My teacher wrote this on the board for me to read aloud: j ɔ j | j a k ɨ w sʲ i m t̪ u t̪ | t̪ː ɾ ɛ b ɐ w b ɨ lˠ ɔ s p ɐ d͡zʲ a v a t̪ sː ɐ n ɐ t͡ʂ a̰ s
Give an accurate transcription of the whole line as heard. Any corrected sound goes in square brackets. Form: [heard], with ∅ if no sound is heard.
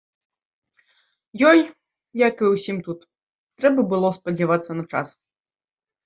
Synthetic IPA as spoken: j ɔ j | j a k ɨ w sʲ i m t̪ u t̪ | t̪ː ɾ ɛ b ɐ [∅] b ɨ lˠ ɔ s p ɐ d͡zʲ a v a t̪ sː ɐ n ɐ t͡ʂ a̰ s